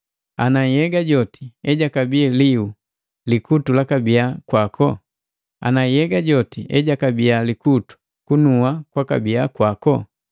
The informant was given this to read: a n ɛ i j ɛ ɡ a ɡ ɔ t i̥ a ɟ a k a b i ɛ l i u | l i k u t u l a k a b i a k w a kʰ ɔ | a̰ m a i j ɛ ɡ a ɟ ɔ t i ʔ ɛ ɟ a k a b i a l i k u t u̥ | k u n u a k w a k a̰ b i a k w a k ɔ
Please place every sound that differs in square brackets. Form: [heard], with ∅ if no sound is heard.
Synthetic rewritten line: a n [a] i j ɛ ɡ a [ɟ] ɔ t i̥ [ɛ] ɟ a k a b i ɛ l i u | l i k u t u l a k a b i a k w a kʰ ɔ | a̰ [n] a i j ɛ ɡ a ɟ ɔ t i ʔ ɛ ɟ a k a b i a l i k u t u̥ | k u n u a k w a k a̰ b i a k w a k ɔ